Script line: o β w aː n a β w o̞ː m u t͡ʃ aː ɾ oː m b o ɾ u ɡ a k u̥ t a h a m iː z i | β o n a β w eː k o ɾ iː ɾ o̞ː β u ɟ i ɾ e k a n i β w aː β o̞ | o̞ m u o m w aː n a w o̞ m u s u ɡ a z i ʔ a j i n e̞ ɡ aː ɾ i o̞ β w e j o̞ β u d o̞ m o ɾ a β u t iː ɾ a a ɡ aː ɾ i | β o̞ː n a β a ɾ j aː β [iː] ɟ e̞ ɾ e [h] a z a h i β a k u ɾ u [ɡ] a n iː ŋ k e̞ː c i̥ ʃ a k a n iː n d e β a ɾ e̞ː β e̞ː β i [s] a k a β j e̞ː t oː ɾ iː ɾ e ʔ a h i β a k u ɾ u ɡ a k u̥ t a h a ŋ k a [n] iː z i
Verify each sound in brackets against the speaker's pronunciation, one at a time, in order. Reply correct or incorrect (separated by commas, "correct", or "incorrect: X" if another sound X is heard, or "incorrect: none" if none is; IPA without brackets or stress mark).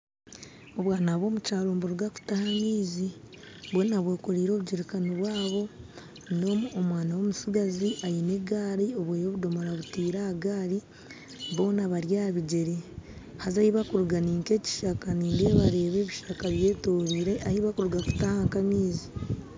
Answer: incorrect: i, correct, correct, incorrect: ʃ, incorrect: m